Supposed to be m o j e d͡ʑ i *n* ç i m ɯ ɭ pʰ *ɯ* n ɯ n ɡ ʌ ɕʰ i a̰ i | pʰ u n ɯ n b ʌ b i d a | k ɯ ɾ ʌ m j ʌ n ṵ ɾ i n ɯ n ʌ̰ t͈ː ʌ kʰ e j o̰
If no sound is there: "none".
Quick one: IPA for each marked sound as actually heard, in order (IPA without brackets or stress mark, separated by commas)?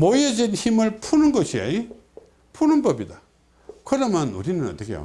n, u